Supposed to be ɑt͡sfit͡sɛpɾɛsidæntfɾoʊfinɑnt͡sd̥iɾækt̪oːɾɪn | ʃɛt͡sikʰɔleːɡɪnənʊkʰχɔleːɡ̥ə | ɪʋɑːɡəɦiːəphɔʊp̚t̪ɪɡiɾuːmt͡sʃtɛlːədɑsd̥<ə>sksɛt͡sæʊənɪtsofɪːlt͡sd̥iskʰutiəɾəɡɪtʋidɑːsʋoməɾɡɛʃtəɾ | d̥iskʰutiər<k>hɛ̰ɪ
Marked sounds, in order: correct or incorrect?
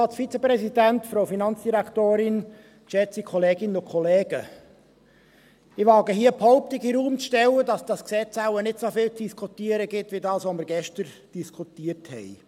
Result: incorrect: ɑ, incorrect: t

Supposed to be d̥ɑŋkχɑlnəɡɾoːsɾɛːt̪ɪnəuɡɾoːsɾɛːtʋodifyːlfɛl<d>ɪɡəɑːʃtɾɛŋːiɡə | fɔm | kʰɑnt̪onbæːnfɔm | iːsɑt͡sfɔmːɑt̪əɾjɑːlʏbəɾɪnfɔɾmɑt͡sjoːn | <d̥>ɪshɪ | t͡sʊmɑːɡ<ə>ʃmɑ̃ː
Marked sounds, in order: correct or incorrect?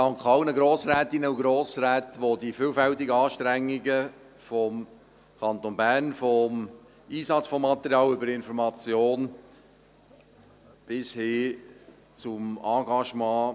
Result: incorrect: t, incorrect: b̥, incorrect: ɑ

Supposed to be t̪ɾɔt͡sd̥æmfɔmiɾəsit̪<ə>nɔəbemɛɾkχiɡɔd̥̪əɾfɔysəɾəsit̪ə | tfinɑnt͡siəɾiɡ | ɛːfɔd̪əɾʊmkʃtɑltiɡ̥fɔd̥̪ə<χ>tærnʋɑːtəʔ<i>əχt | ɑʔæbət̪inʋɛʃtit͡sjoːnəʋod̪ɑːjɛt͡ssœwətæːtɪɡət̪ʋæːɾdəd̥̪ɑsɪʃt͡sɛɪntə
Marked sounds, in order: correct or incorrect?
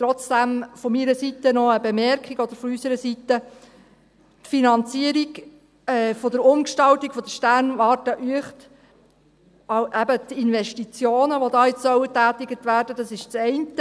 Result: correct, incorrect: ʃ, incorrect: y

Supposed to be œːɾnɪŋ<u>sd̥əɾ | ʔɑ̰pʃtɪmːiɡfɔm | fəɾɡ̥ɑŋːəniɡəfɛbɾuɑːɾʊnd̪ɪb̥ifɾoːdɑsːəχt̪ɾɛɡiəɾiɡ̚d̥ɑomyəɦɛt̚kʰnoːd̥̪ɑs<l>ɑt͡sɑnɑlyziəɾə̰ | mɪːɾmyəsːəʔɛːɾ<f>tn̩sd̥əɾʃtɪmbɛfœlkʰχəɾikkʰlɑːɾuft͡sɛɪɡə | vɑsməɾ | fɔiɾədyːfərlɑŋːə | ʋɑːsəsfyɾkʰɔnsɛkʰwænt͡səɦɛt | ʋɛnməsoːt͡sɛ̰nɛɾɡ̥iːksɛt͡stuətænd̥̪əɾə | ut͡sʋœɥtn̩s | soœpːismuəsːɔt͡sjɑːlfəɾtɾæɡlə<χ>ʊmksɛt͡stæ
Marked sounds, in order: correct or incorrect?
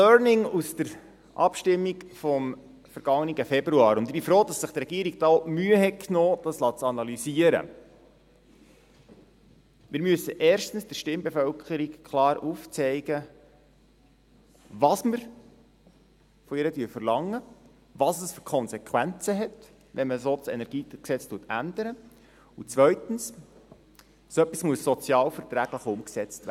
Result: correct, correct, incorrect: ʃ, correct

